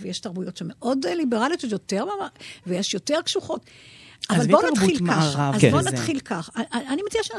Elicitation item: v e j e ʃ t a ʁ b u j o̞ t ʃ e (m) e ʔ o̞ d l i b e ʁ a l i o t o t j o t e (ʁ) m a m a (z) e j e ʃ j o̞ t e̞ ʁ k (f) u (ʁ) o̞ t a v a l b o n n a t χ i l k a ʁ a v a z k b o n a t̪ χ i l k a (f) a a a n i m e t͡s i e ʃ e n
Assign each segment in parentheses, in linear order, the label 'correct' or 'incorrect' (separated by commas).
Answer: correct, correct, incorrect, incorrect, incorrect, incorrect